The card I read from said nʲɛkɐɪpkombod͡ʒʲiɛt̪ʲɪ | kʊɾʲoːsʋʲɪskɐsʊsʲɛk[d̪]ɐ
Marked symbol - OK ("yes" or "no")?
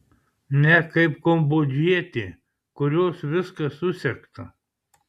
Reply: no